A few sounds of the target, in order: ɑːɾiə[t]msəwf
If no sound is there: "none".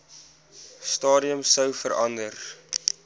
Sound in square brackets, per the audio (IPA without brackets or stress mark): none